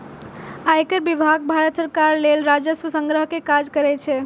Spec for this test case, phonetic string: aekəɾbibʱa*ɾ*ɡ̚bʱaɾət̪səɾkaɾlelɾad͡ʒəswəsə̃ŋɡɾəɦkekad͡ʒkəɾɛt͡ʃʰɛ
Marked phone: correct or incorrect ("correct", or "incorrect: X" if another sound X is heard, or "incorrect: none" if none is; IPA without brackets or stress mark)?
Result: incorrect: none